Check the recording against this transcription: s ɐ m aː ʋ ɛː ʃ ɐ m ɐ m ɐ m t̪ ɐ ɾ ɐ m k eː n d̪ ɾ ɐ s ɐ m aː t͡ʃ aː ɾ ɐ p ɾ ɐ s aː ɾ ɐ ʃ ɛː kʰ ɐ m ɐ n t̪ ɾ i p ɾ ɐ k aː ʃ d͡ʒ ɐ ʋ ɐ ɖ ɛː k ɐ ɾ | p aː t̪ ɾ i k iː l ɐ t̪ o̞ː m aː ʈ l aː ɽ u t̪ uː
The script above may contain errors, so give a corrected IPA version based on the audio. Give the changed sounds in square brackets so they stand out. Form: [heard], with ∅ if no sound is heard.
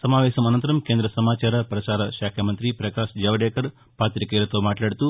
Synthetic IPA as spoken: s ɐ m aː ʋ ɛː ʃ ɐ m ɐ [n] ɐ [n] t̪ ɐ ɾ ɐ m k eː n d̪ ɾ ɐ s ɐ m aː t͡ʃ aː ɾ ɐ p ɾ ɐ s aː ɾ ɐ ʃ [aː] kʰ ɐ m ɐ n t̪ ɾ i p ɾ ɐ k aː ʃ d͡ʒ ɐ ʋ ɐ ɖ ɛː k ɐ ɾ | p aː t̪ ɾ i k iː l ɐ t̪ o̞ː m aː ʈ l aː ɽ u t̪ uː